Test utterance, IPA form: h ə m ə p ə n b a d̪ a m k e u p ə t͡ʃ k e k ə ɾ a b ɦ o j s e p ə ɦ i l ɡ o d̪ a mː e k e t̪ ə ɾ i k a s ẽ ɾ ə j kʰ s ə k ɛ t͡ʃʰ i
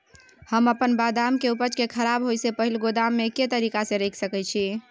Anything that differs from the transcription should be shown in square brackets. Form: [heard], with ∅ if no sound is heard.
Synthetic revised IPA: h ə m ə p ə n b a d̪ a m k e u p ə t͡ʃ k e [kʰ] ə ɾ a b ɦ o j s e p ə ɦ i l ɡ o d̪ a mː e k e t̪ ə ɾ i k a s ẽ ɾ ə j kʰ s ə k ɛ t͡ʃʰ i

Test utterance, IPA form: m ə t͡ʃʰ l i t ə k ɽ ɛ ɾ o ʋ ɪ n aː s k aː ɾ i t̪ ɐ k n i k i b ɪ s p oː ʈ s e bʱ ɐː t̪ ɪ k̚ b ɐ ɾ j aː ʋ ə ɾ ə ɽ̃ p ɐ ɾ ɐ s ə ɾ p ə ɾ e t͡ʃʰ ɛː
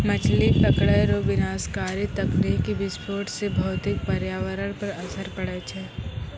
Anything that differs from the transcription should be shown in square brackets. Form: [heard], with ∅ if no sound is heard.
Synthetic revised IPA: m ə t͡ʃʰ l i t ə k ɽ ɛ ɾ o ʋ ɪ n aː s k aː ɾ i t̪ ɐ k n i k i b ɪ s p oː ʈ s e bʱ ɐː t̪ ɪ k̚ [p] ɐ ɾ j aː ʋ ə ɾ ə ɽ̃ p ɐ ɾ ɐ s ə ɾ p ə [ɽ] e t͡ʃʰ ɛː

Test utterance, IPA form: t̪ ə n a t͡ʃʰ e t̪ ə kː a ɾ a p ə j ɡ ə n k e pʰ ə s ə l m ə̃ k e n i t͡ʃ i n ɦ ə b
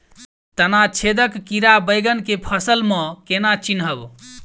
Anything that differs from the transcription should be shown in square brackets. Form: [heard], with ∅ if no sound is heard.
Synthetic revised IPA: t̪ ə n a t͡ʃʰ e [d̪] ə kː [i] ɾ a [b] ə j ɡ ə n k e pʰ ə s ə l m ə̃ k e n [a] t͡ʃ i n ɦ ə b

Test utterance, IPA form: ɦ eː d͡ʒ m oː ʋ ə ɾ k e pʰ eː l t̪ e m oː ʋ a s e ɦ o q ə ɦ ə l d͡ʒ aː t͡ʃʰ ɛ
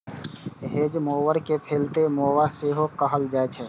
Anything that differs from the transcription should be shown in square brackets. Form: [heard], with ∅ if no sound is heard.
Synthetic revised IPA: ɦ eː d͡ʒ m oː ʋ ə ɾ k e pʰ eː l t̪ e m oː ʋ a s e ɦ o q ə ɦ ə l d͡ʒ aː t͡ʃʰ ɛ

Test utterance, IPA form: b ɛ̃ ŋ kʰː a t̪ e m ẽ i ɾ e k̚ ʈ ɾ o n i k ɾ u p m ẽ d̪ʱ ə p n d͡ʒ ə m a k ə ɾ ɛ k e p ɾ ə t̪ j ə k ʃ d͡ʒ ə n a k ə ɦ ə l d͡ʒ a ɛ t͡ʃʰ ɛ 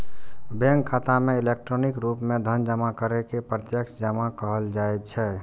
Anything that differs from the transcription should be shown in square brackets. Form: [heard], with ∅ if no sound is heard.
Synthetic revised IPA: b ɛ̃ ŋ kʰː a t̪ [a] m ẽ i [l] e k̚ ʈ ɾ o n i k ɾ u p m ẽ d̪ʱ ə [∅] n d͡ʒ ə m a k ə ɾ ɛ k e p ɾ ə t̪ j ə k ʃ d͡ʒ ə [m] a k ə ɦ ə l d͡ʒ a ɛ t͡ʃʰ ɛ

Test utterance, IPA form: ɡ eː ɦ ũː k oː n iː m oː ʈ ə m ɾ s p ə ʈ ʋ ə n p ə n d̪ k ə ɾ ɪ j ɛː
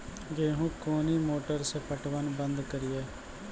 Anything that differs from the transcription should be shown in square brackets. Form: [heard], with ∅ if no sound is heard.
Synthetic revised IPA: ɡ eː ɦ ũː k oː n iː m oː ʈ ə [∅] ɾ s p ə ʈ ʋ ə n [b] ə n d̪ k ə ɾ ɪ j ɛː

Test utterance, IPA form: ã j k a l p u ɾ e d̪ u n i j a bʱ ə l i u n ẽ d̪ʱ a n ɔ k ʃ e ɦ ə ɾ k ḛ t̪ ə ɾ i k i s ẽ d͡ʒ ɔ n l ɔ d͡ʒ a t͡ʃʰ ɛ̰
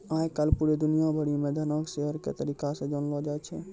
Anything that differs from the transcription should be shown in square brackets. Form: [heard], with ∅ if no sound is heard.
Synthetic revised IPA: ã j k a l p u ɾ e d̪ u n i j a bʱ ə [ɽ] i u [m] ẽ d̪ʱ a n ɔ k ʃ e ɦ ə ɾ k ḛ t̪ ə ɾ i k [a] s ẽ d͡ʒ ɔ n l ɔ d͡ʒ a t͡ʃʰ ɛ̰

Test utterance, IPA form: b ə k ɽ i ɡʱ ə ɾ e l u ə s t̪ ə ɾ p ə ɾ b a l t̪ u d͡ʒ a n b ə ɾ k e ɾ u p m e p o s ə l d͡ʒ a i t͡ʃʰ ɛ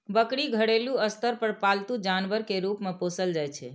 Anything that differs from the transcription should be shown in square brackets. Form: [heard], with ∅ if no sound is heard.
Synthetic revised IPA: b ə k ɽ i ɡʱ ə [ɽ] e l u ə s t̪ ə ɾ p ə ɾ [p] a l t̪ u d͡ʒ a n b ə ɾ k e ɾ u p m e p o s ə l d͡ʒ a [j] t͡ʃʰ ɛ

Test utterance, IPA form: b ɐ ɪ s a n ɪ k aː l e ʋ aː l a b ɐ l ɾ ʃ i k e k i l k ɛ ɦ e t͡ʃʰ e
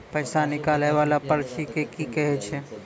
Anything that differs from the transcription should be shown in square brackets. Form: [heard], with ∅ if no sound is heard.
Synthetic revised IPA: [p] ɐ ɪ s a n ɪ k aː l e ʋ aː l a [p] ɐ [∅] ɾ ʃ i k e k i [∅] k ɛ ɦ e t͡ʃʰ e

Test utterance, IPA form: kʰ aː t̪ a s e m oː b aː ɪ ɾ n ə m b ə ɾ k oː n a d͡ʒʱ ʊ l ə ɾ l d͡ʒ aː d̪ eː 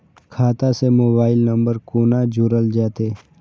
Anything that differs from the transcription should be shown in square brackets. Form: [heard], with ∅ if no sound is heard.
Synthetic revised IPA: kʰ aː t̪ a s e m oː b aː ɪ [l] n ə m b ə ɾ k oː n a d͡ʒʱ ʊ [ɾ] ə [∅] l d͡ʒ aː [t̪] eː

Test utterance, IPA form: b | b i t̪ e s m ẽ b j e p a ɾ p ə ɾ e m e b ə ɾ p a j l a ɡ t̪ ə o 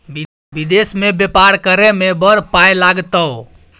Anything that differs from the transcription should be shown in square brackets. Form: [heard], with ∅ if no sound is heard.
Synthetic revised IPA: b | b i [d̪] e s m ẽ b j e p a ɾ [k] ə ɾ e m e b ə ɾ p a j l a ɡ t̪ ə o

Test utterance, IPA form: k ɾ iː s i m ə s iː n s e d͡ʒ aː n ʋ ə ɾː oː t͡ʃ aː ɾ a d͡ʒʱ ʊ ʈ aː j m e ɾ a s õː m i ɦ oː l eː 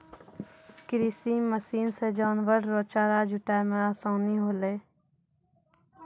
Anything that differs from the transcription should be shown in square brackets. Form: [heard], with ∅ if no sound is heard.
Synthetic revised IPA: k ɾ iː s i m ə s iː n s e d͡ʒ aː n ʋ ə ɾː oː t͡ʃ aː ɾ a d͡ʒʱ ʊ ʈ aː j m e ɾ a s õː [n] i ɦ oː l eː

